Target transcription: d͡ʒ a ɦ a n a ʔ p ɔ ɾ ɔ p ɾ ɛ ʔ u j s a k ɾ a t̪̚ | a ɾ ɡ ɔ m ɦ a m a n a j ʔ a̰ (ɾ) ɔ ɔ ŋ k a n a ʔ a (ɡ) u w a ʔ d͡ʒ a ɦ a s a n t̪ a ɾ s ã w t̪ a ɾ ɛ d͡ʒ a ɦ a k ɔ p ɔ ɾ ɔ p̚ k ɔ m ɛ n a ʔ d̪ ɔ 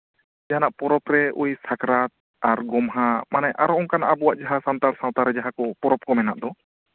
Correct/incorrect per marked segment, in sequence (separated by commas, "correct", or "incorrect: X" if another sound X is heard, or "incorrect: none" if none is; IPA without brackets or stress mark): correct, incorrect: b